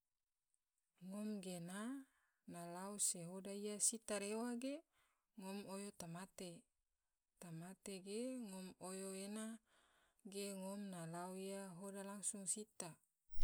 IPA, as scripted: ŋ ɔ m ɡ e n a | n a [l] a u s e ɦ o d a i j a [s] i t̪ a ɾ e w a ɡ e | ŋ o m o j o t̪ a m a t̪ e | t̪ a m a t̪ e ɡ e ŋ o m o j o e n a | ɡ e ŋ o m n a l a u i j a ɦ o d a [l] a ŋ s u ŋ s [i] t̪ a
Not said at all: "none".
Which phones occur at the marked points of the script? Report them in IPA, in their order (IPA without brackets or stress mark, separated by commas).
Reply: l, s, l, i